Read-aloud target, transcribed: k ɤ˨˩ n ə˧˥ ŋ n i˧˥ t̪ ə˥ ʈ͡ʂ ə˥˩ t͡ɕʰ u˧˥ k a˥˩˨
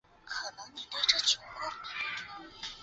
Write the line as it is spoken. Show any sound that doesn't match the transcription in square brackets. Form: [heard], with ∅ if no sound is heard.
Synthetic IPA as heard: [kʰ] ɤ˨˩ n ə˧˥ ŋ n [i˨˩] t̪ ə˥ ʈ͡ʂ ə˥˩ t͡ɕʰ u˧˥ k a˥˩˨